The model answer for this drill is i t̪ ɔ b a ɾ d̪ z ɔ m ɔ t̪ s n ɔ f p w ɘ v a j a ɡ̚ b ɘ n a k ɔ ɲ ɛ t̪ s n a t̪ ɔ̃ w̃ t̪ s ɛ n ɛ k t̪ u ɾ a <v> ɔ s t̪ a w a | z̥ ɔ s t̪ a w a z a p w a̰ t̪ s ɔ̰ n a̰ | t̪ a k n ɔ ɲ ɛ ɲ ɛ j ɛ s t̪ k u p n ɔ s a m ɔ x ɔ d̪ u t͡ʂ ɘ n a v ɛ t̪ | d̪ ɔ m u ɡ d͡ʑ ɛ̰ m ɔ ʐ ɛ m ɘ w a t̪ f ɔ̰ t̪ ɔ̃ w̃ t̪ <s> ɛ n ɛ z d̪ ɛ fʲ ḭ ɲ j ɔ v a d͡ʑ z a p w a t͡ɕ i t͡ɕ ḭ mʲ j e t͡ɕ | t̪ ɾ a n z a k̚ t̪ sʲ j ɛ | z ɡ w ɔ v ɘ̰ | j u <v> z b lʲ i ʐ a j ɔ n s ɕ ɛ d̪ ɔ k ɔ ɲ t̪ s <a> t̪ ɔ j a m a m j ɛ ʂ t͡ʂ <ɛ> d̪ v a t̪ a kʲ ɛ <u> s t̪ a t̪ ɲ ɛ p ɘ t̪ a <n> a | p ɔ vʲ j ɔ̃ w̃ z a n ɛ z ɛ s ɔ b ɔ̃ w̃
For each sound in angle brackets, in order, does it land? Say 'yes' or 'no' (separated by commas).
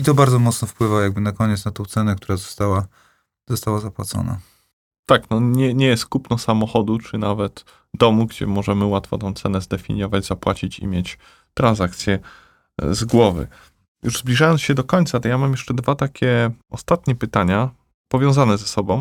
no, yes, no, yes, yes, no, no